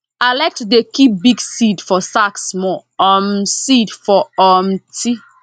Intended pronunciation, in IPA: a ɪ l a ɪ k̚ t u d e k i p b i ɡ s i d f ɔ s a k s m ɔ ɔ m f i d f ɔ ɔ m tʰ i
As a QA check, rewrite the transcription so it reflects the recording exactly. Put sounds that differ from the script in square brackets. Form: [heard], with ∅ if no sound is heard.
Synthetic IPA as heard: a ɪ l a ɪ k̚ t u d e k i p b i ɡ s i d f ɔ s a k s m ɔ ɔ m [s] i d f ɔ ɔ m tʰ i